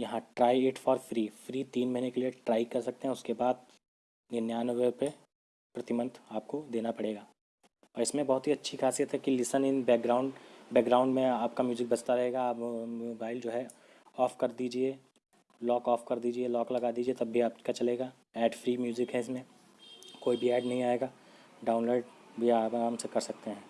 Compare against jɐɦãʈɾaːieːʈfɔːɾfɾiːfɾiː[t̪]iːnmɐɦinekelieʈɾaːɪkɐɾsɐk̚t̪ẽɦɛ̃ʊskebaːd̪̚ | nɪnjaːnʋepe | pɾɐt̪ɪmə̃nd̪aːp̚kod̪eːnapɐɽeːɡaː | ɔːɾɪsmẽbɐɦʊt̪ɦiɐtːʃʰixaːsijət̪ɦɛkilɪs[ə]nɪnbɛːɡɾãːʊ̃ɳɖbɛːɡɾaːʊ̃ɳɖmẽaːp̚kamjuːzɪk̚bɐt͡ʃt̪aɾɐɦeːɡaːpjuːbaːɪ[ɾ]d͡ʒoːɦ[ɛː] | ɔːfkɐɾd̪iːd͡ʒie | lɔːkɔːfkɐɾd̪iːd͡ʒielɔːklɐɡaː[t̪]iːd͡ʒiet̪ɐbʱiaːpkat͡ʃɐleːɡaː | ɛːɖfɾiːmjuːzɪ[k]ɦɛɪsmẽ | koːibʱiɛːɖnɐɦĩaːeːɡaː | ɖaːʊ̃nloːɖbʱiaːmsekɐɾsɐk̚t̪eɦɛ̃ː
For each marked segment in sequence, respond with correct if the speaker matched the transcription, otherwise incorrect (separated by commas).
correct, correct, incorrect, incorrect, incorrect, correct